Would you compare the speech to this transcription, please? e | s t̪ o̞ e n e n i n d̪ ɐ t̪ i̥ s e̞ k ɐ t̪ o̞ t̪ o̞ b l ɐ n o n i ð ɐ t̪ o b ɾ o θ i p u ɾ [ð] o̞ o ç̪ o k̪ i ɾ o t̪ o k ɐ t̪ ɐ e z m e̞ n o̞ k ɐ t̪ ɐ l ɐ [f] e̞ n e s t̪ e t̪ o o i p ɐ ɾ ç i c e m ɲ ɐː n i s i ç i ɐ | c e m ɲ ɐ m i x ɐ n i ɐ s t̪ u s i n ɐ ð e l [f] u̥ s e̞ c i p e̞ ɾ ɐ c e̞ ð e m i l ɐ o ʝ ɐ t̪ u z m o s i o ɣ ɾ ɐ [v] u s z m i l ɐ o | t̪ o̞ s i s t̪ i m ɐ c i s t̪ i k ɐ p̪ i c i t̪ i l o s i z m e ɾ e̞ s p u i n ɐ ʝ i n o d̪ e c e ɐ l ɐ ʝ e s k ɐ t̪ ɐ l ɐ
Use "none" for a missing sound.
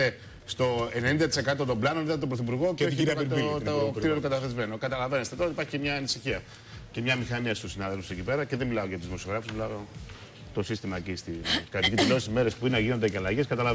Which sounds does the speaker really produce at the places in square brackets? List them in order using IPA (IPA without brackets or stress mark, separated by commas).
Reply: ɣ, v, f, f